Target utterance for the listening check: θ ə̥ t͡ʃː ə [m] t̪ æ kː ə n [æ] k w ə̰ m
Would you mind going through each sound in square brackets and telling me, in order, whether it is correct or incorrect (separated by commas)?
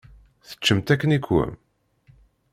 correct, incorrect